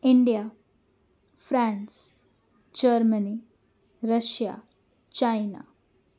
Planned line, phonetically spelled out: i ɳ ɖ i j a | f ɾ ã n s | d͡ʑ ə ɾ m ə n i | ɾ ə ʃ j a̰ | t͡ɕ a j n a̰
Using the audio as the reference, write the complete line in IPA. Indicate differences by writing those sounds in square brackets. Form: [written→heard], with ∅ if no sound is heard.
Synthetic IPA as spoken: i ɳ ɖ i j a | f ɾ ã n s | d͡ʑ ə ɾ m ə n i | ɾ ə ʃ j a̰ | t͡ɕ a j n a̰